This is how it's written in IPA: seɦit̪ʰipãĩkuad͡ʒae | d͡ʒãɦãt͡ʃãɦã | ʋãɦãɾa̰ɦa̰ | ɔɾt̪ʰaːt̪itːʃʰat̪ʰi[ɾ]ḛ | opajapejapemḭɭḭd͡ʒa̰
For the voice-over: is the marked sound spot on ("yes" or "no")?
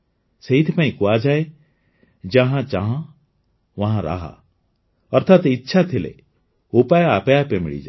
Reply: no